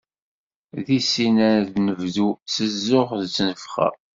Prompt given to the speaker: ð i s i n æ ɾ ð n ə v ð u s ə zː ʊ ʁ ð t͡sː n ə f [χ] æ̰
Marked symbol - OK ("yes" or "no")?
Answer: yes